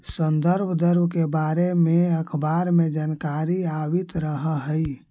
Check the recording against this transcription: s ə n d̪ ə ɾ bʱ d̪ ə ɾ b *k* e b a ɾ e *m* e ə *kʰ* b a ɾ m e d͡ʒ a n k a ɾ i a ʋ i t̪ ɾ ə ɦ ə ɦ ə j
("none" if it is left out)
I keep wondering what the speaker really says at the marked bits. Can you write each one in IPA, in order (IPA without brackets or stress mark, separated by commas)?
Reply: k, m, kʰ